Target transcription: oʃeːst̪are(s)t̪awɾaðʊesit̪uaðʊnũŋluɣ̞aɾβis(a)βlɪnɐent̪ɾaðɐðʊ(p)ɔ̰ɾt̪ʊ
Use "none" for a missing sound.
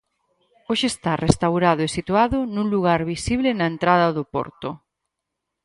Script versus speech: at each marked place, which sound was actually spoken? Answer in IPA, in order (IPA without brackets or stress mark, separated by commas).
s, i, p